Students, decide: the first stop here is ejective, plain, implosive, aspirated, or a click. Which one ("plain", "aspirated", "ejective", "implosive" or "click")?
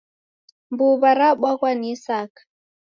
plain